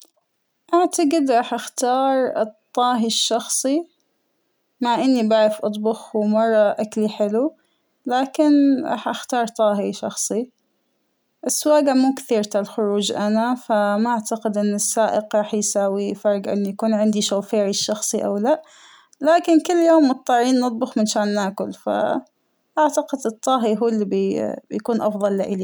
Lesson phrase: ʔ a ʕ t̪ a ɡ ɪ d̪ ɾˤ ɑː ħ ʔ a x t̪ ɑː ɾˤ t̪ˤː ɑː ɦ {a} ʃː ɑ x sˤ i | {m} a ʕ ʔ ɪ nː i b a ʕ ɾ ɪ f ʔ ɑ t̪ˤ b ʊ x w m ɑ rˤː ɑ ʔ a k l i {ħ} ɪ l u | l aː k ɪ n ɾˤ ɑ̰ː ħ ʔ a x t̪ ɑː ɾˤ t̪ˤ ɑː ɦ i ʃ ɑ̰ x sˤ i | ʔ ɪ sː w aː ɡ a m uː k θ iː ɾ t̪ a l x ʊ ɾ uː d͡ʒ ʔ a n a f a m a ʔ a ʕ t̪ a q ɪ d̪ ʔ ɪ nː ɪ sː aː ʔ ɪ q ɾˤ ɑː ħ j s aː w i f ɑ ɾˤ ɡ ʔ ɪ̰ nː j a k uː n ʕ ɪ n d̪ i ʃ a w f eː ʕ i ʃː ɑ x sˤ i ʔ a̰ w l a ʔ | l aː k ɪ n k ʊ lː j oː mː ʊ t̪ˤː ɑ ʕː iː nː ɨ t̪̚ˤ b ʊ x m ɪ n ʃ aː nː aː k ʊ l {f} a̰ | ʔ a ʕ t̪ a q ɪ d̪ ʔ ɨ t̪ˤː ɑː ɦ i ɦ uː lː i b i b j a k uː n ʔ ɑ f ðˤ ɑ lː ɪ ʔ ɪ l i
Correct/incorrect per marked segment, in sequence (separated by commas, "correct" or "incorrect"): incorrect, correct, correct, correct